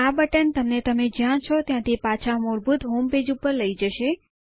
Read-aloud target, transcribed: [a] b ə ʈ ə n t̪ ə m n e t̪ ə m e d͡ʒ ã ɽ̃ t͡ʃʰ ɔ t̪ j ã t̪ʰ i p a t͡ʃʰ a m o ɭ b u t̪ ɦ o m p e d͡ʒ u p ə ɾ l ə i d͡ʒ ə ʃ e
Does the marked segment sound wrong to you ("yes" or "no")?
no